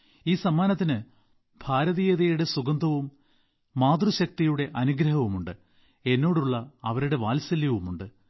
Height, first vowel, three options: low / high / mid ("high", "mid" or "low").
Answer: high